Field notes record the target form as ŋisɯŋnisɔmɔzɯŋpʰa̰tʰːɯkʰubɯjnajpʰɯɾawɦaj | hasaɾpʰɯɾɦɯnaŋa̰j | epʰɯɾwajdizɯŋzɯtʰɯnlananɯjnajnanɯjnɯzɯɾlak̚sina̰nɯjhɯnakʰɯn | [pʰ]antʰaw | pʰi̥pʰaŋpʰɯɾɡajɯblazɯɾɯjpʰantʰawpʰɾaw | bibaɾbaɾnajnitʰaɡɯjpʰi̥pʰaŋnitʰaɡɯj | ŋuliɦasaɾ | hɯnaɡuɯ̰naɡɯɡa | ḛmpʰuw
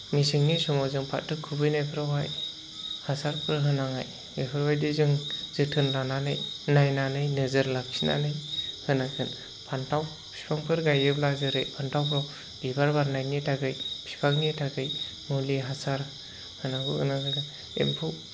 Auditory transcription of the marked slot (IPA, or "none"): pʰ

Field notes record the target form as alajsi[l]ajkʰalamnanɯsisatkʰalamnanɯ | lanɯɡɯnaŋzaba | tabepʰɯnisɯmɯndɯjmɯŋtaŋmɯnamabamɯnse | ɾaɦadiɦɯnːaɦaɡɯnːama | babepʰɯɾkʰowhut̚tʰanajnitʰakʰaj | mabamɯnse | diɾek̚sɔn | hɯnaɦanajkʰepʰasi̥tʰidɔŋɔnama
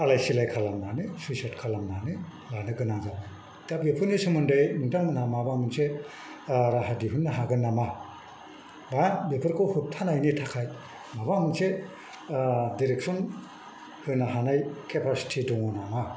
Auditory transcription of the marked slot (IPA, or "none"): l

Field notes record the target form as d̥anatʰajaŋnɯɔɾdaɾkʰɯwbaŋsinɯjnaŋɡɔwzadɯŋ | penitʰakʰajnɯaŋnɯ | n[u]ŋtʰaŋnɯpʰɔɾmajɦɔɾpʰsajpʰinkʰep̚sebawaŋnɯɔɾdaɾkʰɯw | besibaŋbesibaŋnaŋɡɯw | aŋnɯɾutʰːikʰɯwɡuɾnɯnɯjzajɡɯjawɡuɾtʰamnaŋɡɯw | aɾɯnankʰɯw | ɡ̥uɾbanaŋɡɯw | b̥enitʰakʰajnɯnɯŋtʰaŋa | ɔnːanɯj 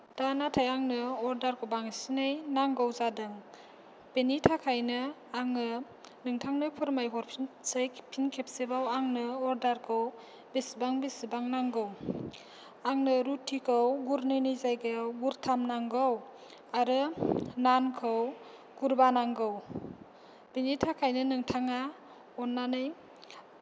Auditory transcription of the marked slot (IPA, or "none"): ɯ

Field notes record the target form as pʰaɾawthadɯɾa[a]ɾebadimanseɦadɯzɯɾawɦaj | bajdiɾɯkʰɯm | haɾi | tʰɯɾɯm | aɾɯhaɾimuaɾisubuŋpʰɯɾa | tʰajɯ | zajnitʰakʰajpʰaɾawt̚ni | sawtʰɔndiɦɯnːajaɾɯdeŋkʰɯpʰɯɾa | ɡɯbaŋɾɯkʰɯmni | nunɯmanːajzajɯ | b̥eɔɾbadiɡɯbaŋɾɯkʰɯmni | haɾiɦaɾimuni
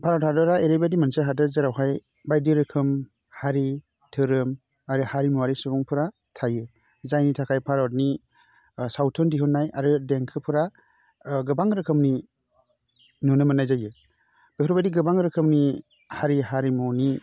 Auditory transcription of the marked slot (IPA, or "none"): e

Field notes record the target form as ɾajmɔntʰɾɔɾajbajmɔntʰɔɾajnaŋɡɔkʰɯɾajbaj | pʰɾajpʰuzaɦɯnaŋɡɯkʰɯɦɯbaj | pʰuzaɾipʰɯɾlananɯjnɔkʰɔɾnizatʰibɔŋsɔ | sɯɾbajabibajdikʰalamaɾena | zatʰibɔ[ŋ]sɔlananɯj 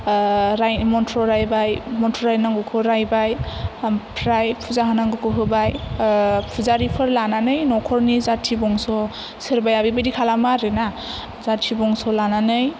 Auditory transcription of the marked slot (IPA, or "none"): ŋ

